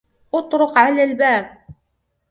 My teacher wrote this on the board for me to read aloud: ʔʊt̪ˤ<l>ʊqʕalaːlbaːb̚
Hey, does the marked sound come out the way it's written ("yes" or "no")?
no